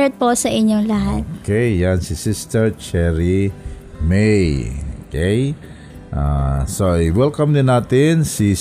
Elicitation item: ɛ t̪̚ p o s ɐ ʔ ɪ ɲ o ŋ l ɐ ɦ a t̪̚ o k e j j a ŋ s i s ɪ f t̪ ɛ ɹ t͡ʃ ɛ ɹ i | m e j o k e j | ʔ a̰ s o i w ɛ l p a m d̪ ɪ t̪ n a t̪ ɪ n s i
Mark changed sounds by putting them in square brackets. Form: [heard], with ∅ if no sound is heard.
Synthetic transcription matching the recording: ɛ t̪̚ p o s ɐ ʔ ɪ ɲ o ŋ l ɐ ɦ a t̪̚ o k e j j a [n] s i s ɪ [s] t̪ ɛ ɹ t͡ʃ ɛ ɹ i | m e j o k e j | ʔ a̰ s o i w ɛ l [k] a m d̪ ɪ [∅] n a t̪ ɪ n s i